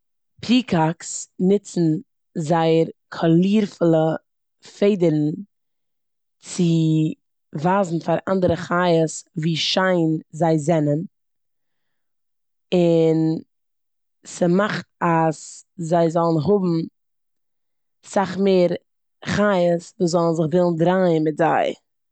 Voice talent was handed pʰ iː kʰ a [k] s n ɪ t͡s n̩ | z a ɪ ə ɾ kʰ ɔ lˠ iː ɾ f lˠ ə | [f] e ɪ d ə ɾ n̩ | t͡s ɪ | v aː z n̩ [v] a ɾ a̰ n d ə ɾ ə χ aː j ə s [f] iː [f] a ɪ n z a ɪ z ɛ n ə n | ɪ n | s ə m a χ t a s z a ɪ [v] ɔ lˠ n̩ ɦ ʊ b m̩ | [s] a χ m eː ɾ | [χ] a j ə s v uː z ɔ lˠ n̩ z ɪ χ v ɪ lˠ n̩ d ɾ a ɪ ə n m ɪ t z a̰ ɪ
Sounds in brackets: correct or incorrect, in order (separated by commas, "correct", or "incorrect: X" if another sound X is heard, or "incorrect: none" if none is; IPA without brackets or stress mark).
correct, correct, incorrect: f, incorrect: v, incorrect: ʃ, incorrect: z, correct, correct